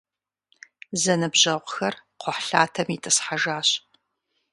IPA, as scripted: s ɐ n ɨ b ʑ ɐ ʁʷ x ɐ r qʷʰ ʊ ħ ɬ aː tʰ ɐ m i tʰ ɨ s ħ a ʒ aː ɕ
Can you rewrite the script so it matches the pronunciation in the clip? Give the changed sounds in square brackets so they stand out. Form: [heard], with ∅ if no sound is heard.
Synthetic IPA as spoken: [z] ɐ n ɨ b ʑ ɐ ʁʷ x ɐ r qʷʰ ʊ ħ ɬ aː tʰ ɐ m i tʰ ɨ s ħ a ʒ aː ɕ